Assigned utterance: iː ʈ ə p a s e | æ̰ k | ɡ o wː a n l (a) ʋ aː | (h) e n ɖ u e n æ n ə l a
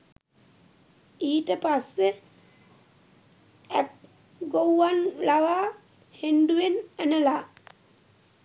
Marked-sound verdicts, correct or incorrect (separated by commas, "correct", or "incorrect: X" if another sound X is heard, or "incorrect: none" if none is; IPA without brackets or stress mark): correct, correct